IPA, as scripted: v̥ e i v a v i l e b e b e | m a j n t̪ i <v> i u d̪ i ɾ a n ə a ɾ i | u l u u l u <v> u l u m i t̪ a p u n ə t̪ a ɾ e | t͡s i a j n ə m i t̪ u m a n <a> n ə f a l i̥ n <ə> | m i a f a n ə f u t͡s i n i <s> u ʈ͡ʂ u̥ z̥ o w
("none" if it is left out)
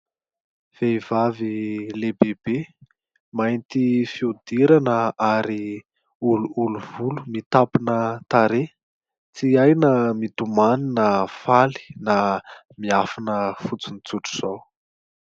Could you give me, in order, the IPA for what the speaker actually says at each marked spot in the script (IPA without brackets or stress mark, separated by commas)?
f, v, i, a, t͡s